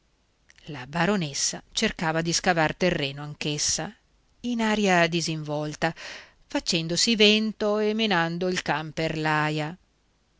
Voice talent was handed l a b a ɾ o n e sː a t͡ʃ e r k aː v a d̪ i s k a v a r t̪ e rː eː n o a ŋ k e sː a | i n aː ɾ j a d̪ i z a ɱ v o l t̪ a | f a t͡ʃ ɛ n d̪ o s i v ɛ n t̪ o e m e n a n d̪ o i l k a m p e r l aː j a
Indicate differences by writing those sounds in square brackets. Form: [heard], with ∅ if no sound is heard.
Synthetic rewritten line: l a b a ɾ o n e sː a t͡ʃ e r k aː v a d̪ i s k a v a r t̪ e rː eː n o a ŋ k e sː a | i n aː ɾ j a d̪ i z [i] ɱ v [ɔ] l t̪ a | f a t͡ʃ ɛ n d̪ o s i v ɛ n t̪ o e m e n a n d̪ o i l k a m p e r l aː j a